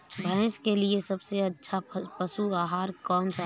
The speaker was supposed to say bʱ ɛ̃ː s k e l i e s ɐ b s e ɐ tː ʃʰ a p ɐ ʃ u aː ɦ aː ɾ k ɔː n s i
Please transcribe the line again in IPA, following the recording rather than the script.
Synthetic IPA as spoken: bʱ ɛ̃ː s k e l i e s ɐ b s e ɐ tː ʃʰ a p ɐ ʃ u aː ɦ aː ɾ k ɔː n s a

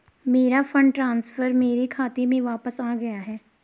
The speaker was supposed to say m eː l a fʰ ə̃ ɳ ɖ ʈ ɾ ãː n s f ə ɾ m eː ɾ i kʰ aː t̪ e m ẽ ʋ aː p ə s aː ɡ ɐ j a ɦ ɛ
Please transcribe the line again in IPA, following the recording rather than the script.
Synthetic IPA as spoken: m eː ɾ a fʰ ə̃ ɳ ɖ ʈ ɾ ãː n s f ə ɾ m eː ɾ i kʰ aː t̪ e m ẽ ʋ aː p ə s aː ɡ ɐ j a ɦ ɛː

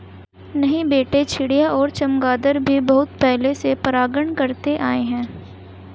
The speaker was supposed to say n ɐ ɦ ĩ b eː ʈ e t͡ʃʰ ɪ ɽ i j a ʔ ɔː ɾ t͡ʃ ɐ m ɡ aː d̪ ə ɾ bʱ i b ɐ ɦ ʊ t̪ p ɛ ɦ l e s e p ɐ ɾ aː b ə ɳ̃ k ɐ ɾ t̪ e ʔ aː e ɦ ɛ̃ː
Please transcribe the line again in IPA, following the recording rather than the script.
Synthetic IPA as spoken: n ɐ ɦ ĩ b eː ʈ e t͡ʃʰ ɪ ɽ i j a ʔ ɔː ɾ t͡ʃ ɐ m ɡ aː d̪ ə ɾ bʱ i b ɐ ɦ ʊ t̪ p ɛ ɦ l e s e p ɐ ɾ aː ɡ ə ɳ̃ k ɐ ɾ t̪ e ʔ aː e ɦ ɛ̃ː

